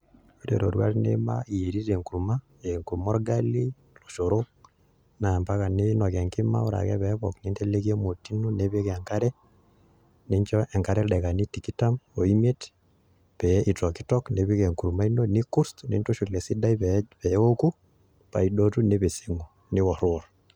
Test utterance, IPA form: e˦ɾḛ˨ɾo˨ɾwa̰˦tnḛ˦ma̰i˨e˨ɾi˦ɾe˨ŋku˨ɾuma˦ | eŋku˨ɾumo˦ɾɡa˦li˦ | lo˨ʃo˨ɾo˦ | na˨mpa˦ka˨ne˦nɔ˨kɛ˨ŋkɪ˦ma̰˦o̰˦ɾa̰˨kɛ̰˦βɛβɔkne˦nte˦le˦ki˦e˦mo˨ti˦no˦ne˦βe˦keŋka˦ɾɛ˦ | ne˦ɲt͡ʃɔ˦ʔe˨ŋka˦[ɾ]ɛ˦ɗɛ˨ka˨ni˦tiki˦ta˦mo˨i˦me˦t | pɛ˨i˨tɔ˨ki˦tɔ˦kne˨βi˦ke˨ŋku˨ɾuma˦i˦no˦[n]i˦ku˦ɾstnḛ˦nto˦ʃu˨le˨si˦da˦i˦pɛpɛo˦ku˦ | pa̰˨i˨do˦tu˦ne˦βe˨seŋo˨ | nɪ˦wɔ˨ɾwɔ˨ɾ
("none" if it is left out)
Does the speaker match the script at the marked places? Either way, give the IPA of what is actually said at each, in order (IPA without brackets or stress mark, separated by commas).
ɾ, n